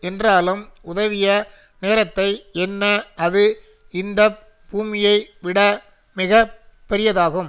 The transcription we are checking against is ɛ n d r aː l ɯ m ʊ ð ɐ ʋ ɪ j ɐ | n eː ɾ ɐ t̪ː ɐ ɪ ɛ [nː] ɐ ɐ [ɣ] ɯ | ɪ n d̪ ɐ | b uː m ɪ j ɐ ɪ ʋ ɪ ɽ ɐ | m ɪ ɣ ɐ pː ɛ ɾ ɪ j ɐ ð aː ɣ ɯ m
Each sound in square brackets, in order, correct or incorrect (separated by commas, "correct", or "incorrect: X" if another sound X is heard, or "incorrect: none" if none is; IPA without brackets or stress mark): correct, incorrect: ð